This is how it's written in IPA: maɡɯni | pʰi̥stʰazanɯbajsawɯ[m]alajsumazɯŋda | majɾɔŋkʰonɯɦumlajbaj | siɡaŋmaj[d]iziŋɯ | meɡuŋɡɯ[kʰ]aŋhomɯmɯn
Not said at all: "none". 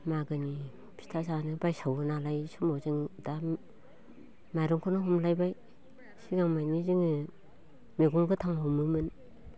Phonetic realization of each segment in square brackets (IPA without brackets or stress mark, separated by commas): n, n, tʰ